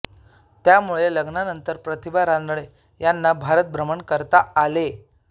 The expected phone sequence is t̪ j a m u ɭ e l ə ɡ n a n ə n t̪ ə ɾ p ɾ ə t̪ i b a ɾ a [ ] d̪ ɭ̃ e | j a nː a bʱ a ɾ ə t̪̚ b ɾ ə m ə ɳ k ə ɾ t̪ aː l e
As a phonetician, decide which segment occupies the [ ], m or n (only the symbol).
n